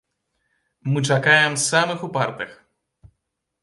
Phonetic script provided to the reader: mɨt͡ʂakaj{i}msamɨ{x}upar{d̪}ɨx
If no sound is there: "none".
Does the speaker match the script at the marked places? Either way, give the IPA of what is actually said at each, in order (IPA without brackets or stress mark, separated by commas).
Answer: ɛ, x, t̪